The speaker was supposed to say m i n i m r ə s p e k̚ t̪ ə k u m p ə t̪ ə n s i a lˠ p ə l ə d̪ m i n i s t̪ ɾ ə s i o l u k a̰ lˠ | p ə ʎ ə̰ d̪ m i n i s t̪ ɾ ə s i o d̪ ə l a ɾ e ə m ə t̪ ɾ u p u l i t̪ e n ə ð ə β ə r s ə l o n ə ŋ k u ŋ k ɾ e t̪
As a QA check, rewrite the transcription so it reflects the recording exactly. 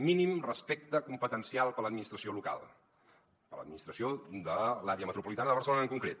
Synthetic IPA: m i n i m r ə s p e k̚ t̪ ə k u m p ə t̪ ə n s i a lˠ p ə l ə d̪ m i n i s t̪ ɾ ə s i o l u k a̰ lˠ | p ə l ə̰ d̪ m i n i s t̪ ɾ ə s i o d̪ ə l a ɾ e ə m ə t̪ ɾ u p u l i t̪ a n ə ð ə β ə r s ə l o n ə ŋ k u ŋ k ɾ e t̪